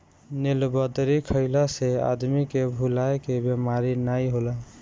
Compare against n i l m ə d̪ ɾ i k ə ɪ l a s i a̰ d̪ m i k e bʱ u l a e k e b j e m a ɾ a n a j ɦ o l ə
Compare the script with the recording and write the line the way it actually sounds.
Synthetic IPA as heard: n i l b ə d̪ ɾ i kʰ ə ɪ l a s e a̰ d̪ m i k e bʱ u l a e k e b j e m a ɾ i n a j ɦ o l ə